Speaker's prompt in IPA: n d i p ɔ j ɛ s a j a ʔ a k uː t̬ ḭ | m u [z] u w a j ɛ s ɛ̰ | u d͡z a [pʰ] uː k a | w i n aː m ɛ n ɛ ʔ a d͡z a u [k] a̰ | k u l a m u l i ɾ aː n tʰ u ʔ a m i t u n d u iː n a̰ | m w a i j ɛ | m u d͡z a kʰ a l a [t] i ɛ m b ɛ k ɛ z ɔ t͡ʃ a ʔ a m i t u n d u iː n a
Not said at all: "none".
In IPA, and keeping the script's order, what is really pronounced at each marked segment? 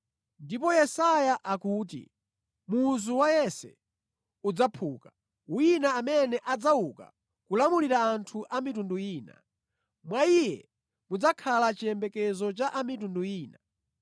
z, pʰ, k, t͡ʃ

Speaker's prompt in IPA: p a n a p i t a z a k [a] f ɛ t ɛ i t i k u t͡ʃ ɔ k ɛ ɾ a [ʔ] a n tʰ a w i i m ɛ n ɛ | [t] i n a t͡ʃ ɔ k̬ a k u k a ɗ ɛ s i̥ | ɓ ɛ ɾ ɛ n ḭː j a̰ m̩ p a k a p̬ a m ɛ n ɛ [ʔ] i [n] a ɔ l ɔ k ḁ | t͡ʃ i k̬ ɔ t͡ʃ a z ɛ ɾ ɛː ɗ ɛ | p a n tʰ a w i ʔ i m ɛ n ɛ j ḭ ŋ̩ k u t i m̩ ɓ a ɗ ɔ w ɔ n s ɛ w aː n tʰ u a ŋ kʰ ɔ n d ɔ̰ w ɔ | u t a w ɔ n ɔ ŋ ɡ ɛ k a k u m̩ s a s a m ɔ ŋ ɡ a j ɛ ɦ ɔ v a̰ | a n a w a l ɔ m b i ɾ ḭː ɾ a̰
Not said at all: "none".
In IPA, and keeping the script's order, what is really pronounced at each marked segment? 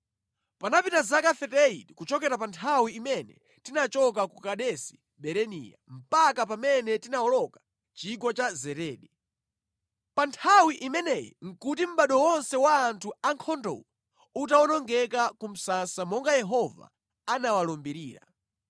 a, p, t, t, n

